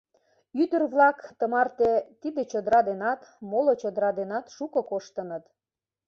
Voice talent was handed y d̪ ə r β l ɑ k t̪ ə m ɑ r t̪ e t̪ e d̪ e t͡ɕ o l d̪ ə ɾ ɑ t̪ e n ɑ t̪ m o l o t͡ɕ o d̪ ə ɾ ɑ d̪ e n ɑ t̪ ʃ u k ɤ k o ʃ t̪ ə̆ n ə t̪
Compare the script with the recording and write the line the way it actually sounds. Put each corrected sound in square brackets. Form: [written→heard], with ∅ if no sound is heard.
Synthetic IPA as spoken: y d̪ ə r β l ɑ k t̪ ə m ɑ r t̪ e t̪ [e→i] d̪ e t͡ɕ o [l→∅] d̪ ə ɾ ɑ [t̪→d̪] e n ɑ t̪ m o l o t͡ɕ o d̪ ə ɾ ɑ d̪ e n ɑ t̪ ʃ u k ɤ k o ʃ t̪ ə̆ n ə t̪